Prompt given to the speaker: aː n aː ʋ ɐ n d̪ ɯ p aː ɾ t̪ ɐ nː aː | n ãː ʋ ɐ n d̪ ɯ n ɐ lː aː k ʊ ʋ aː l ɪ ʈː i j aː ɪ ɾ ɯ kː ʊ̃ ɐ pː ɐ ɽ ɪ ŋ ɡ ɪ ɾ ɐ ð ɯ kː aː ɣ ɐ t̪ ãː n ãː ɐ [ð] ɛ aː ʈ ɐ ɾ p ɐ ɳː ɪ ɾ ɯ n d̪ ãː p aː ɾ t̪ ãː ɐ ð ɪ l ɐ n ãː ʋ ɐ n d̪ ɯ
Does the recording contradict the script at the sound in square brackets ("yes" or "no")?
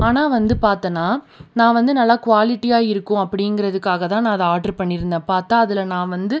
no